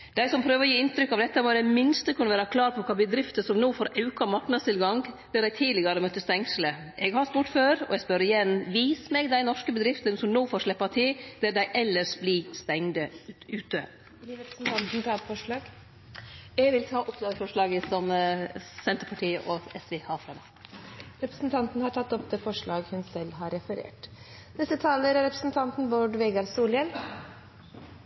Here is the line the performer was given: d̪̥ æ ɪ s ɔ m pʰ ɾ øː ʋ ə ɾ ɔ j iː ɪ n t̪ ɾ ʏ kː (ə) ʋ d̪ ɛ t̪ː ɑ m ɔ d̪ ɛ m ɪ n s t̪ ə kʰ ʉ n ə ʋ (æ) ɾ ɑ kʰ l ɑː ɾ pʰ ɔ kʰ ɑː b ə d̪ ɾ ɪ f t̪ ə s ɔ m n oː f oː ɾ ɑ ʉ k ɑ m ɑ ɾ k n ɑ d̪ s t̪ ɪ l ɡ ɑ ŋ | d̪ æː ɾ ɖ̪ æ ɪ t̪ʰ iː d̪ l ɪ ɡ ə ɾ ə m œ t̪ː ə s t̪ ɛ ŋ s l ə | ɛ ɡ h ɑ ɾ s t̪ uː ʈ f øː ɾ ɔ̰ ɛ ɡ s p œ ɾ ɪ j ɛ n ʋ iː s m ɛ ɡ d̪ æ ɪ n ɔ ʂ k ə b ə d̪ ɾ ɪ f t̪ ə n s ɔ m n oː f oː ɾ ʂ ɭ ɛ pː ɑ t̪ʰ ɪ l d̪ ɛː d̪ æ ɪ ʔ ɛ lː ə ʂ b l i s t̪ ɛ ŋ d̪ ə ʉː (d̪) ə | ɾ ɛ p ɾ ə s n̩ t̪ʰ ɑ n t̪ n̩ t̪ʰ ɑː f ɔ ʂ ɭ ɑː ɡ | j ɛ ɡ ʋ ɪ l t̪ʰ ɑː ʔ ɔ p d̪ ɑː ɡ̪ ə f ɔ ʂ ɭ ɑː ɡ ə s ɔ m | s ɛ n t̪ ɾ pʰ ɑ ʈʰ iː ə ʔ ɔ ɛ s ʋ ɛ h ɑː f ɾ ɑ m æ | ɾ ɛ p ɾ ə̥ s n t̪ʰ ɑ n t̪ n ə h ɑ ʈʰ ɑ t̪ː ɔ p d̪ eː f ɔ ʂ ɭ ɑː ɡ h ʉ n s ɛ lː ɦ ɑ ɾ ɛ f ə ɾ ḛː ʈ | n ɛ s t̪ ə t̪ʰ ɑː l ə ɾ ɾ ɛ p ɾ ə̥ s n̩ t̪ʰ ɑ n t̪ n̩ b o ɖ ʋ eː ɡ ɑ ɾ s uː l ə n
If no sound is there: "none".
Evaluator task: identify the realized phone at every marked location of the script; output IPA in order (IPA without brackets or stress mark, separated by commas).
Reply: ɑ, æː, t̪